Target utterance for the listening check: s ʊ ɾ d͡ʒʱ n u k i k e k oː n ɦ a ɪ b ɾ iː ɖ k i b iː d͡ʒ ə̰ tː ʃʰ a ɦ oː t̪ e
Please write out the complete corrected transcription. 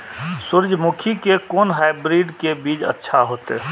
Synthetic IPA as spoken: s ʊ ɾ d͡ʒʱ m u kʰ i k e k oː n ɦ a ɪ b ɾ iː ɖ k e b iː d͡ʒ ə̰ tː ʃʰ a ɦ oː t̪ e